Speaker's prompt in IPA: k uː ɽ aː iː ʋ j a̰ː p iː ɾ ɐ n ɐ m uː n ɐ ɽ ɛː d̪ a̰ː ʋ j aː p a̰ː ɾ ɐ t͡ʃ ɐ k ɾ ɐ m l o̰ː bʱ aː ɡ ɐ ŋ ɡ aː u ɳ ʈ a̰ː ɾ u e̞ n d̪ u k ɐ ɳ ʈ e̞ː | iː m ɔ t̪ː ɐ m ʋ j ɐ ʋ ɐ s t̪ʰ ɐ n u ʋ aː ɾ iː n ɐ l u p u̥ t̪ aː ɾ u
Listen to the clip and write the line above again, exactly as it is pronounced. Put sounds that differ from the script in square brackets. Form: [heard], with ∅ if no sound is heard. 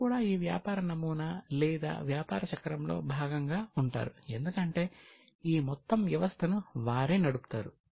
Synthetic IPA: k uː ɽ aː iː ʋ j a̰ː p [aː] ɾ ɐ n ɐ m uː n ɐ [l] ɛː d̪ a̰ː ʋ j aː p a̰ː ɾ ɐ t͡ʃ ɐ k ɾ ɐ m l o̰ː bʱ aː ɡ ɐ ŋ ɡ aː u ɳ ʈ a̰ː ɾ u e̞ n d̪ u k ɐ ɳ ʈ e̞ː | iː m ɔ t̪ː ɐ m ʋ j ɐ ʋ ɐ s t̪ʰ ɐ n u ʋ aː ɾ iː n ɐ [ɽ] u p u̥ t̪ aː ɾ u